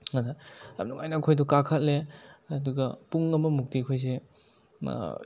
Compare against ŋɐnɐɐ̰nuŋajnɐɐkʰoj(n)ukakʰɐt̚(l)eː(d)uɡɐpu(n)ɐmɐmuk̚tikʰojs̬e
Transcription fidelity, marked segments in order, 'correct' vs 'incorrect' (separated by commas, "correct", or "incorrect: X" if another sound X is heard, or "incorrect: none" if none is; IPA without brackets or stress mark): incorrect: d, correct, correct, incorrect: ŋ